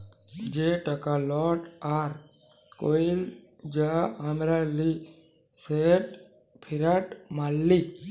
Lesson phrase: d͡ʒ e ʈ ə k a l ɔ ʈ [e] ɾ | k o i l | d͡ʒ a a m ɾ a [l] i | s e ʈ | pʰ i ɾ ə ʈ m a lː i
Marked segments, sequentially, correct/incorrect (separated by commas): incorrect, correct